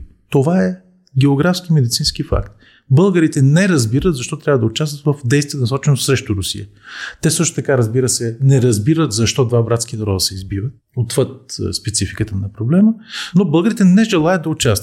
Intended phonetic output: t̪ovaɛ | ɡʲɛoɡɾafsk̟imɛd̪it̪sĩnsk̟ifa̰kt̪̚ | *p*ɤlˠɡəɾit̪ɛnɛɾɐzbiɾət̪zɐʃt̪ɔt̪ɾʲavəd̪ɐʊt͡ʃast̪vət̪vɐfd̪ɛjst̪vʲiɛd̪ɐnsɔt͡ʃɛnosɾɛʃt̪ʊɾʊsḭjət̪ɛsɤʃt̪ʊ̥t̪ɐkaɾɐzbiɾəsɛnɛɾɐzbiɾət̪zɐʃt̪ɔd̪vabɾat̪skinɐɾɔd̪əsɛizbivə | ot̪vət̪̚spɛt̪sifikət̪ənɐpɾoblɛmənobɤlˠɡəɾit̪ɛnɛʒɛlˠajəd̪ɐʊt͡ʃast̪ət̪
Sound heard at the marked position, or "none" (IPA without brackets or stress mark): b